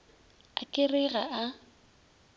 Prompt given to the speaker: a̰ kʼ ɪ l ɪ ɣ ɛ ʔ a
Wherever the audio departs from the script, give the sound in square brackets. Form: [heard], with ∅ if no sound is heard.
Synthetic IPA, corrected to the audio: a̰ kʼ ɪ [r] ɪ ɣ [a] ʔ a